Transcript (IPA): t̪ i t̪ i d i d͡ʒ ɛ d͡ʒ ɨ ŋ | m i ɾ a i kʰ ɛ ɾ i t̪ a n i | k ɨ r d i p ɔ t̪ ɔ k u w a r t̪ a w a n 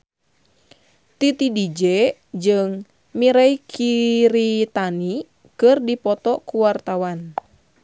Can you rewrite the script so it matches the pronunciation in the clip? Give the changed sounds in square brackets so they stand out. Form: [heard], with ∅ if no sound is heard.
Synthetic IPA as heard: t̪ i t̪ i d i d͡ʒ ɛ d͡ʒ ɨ ŋ | m i ɾ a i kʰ [i] ɾ i t̪ a n i | k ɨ r d i p ɔ t̪ ɔ k u w a r t̪ a w a n